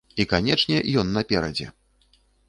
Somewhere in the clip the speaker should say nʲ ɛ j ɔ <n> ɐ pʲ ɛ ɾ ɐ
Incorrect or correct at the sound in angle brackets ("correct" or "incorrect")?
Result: incorrect